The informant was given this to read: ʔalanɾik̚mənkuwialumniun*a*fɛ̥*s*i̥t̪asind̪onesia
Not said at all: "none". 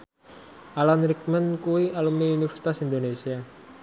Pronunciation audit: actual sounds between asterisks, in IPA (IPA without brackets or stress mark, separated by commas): i, s